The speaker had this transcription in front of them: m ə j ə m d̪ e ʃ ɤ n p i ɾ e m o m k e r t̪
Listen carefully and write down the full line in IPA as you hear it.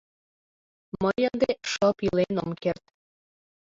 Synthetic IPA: m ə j ə n d̪ e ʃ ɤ p i l e n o m k e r t̪